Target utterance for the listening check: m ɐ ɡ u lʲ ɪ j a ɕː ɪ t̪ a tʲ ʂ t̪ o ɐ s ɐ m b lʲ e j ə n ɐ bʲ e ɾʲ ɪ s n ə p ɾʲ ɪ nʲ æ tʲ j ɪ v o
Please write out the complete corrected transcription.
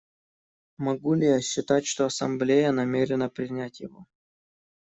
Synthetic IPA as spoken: m ɐ ɡ u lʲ ɪ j a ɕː ɪ t̪ a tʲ ʂ t̪ o ɐ s ɐ m b lʲ e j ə n ɐ mʲ e ɾʲ ɪ n ə p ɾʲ ɪ nʲ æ tʲ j ɪ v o